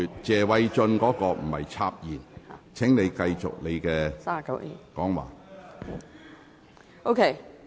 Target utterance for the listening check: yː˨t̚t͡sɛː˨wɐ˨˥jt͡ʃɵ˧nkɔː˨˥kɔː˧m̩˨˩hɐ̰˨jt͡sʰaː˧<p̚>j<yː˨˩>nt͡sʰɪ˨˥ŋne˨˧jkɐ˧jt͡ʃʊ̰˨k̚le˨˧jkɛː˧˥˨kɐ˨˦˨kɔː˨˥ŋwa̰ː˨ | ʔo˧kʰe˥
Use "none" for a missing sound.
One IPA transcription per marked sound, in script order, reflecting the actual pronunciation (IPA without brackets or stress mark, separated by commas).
p̚, iː˨˩